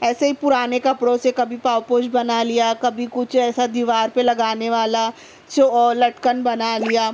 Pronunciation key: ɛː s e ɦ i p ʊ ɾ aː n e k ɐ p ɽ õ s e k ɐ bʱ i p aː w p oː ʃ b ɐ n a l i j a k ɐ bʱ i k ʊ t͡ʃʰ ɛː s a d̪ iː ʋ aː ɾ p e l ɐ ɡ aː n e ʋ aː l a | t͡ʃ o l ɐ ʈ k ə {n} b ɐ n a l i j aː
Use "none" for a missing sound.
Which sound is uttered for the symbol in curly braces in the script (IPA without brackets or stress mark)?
n